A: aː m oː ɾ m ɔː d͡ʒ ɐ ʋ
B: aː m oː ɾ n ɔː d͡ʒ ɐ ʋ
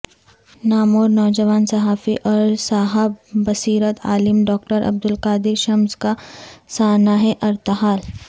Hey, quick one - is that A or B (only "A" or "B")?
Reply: B